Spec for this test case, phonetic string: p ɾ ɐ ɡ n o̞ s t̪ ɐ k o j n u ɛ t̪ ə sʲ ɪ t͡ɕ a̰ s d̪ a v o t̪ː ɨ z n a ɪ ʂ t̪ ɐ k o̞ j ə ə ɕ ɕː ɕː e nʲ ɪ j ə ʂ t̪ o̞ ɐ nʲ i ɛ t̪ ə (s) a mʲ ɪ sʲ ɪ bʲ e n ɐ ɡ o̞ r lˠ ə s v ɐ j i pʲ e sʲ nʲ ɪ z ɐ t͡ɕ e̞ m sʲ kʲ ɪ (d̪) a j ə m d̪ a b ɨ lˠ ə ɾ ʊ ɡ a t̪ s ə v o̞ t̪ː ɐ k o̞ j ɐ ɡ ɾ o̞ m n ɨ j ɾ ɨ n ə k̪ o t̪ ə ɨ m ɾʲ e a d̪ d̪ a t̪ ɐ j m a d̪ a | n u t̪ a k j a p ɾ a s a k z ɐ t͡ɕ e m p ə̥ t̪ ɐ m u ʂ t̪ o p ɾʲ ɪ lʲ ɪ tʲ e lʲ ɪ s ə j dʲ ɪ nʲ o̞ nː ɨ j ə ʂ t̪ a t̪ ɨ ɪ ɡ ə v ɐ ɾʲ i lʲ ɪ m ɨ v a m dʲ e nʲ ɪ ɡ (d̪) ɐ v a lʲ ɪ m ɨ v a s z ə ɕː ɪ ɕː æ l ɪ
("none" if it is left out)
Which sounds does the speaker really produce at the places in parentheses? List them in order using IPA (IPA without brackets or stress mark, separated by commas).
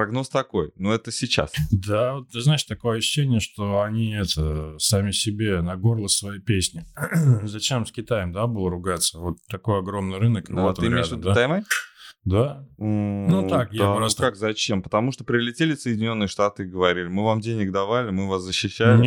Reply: s, t̪, d̪